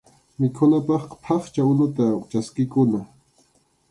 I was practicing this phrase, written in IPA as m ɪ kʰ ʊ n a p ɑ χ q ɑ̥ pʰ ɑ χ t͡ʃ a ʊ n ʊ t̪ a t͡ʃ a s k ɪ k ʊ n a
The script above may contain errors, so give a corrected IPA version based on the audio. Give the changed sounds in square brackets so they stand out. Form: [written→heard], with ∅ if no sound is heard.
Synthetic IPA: m ɪ kʰ ʊ n a p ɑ χ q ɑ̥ pʰ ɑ χ t͡ʃ a ʊ n ʊ t̪ a t͡ʃ a s k ɪ k ʊ n a